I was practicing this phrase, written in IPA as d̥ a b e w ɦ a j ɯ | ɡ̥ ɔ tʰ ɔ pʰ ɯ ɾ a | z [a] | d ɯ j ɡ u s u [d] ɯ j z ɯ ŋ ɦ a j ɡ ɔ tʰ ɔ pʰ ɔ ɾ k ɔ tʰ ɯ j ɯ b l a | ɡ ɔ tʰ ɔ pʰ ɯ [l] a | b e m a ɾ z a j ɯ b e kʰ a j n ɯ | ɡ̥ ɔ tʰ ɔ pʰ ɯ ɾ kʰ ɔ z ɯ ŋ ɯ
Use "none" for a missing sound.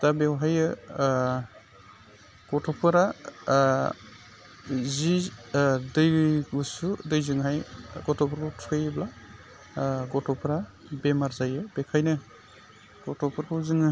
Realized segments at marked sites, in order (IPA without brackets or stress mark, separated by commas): i, d, ɾ